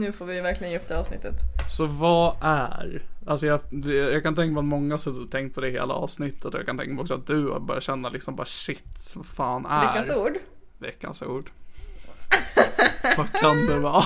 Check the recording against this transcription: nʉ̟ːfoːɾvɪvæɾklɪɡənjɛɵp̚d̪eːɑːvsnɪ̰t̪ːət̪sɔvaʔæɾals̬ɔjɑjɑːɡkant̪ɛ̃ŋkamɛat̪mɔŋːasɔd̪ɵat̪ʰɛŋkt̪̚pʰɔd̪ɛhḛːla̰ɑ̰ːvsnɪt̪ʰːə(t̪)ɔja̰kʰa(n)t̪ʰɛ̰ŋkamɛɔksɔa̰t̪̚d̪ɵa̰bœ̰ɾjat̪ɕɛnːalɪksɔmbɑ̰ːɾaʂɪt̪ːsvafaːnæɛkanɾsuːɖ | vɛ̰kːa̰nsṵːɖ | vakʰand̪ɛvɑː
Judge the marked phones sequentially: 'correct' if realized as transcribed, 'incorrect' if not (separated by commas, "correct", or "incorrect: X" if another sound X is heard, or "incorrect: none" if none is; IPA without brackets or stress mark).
correct, correct